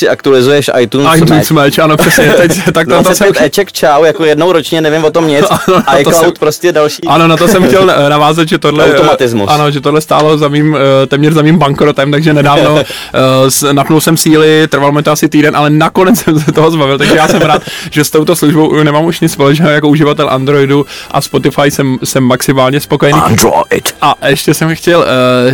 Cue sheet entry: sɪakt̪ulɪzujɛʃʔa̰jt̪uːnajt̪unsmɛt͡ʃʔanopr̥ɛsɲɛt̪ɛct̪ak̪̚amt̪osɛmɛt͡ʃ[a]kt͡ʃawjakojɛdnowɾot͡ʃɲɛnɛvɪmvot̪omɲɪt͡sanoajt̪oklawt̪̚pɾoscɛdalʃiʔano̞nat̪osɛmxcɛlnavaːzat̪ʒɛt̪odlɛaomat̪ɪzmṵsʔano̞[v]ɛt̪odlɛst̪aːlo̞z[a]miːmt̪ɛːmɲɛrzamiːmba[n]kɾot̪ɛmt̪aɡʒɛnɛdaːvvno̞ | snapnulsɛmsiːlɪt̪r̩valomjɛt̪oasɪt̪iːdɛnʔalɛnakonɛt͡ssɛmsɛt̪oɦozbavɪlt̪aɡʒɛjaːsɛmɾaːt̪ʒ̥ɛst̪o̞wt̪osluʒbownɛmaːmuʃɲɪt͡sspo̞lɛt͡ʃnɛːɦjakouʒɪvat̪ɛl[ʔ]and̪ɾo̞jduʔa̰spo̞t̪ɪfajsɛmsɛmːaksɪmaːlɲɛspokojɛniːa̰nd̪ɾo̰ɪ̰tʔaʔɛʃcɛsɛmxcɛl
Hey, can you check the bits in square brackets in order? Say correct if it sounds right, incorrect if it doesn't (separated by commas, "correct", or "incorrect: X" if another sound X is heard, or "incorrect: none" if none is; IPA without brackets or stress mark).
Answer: incorrect: ɛ, incorrect: ʒ, correct, incorrect: ŋ, correct